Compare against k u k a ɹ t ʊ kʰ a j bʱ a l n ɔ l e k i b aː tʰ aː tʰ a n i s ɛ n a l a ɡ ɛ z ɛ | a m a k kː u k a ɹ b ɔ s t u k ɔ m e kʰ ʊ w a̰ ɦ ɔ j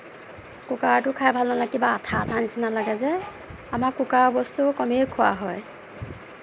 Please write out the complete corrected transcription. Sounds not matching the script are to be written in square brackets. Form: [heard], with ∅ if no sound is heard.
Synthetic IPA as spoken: k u k a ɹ t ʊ kʰ a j bʱ a l n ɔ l [a] k i b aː tʰ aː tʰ a n i s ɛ n a l a ɡ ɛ z ɛ | a m a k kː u k a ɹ b ɔ s t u k ɔ m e kʰ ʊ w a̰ ɦ ɔ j